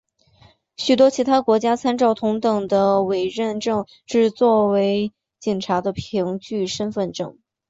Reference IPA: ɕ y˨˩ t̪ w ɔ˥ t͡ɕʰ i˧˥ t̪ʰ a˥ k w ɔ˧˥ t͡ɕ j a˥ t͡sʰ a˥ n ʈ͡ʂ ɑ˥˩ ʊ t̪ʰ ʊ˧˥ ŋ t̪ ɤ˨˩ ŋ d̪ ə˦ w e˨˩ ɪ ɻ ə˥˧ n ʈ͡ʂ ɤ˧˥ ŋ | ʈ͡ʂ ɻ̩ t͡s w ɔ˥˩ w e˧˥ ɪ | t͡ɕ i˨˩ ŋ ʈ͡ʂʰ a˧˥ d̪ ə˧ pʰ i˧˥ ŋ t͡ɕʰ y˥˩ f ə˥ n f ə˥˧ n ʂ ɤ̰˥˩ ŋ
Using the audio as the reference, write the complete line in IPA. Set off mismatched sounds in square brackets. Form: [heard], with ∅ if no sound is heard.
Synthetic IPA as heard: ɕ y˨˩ t̪ w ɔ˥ t͡ɕʰ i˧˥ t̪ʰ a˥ k w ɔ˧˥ t͡ɕ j a˥ t͡sʰ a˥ n ʈ͡ʂ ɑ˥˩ ʊ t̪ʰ ʊ˧˥ ŋ t̪ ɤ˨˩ ŋ d̪ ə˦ w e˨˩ ɪ ɻ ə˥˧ n ʈ͡ʂ [ɤ˥˧] ŋ | ʈ͡ʂ ɻ̩ t͡s w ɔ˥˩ w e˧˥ ɪ | t͡ɕ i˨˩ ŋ ʈ͡ʂʰ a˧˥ d̪ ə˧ pʰ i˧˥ ŋ [t͡ɕ] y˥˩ [ʂ] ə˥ n f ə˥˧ n [ʈ͡ʂ] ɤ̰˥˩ ŋ

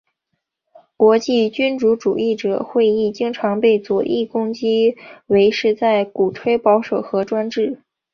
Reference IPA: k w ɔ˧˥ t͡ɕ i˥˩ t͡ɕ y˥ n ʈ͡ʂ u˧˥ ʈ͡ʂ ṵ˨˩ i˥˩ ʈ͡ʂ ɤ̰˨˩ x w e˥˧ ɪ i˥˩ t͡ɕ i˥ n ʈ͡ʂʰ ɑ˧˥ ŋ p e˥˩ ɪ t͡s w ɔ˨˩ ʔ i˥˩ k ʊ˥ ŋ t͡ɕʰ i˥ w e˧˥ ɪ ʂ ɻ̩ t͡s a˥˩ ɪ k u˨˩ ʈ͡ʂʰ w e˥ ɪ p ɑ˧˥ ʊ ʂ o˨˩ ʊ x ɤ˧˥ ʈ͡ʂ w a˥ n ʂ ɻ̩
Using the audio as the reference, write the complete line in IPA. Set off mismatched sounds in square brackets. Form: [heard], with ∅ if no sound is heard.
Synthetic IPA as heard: k w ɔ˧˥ t͡ɕ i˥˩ t͡ɕ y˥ n ʈ͡ʂ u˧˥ ʈ͡ʂ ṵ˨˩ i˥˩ ʈ͡ʂ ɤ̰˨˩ x w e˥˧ ɪ i˥˩ t͡ɕ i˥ [ŋ] ʈ͡ʂʰ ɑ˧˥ ŋ p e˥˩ ɪ t͡s w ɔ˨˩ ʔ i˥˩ k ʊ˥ ŋ [t͡ɕ] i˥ w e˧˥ ɪ ʂ ɻ̩ t͡s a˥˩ ɪ k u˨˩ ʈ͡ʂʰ w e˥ ɪ p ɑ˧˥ ʊ ʂ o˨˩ ʊ x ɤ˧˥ ʈ͡ʂ w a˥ n [ʈ͡ʂ] ɻ̩

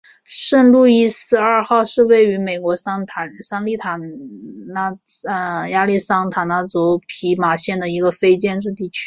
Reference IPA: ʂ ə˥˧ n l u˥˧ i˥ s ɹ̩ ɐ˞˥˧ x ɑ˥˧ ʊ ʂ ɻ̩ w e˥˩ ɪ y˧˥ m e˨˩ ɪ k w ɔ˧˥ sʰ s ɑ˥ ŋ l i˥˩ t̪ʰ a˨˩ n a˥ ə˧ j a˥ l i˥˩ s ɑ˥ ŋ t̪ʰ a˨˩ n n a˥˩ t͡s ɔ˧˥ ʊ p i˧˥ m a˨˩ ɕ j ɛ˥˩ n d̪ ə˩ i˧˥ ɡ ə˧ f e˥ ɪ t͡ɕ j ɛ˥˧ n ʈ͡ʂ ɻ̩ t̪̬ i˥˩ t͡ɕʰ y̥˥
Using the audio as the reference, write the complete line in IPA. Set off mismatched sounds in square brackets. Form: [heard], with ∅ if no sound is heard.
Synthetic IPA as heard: ʂ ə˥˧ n l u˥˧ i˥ s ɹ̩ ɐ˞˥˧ x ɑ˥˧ ʊ ʂ ɻ̩ w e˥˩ ɪ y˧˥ m e˨˩ ɪ k w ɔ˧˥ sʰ s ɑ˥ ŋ l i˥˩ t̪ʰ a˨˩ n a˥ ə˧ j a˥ l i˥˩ s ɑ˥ ŋ t̪ʰ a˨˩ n n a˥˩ t͡s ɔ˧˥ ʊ [pʰ] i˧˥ m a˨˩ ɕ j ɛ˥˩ n d̪ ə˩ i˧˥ ɡ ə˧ f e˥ ɪ t͡ɕ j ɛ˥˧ n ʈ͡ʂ ɻ̩ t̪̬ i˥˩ t͡ɕʰ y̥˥

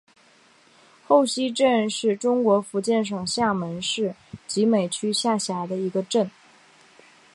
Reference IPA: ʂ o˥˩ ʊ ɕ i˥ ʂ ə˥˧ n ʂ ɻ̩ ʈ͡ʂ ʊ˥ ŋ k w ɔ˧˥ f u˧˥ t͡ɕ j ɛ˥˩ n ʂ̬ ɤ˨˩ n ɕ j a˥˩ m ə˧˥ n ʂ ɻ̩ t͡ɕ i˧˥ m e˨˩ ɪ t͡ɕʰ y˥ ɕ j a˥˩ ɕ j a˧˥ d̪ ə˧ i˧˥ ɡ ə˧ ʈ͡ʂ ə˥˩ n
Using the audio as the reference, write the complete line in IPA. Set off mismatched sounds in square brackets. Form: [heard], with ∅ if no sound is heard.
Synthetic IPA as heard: [x] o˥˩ ʊ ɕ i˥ [ʈ͡ʂ] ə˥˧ n ʂ ɻ̩ ʈ͡ʂ ʊ˥ ŋ k w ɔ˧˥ f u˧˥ t͡ɕ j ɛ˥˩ n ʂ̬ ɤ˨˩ [ŋ] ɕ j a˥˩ m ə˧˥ n ʂ ɻ̩ t͡ɕ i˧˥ m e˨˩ ɪ t͡ɕʰ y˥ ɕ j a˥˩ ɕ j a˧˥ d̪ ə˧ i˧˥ ɡ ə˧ ʈ͡ʂ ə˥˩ n

